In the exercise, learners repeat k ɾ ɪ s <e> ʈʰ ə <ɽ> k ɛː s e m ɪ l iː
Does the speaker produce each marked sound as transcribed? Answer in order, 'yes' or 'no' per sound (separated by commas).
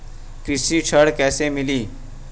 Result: no, yes